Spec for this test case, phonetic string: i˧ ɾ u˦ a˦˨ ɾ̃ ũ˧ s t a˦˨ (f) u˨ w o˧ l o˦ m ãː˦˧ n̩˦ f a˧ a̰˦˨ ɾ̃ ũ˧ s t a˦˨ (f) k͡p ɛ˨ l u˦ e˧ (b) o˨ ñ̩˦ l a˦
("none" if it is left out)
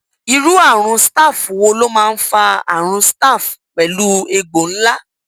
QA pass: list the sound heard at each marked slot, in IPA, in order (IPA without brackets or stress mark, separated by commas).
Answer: f, f, ɡ͡b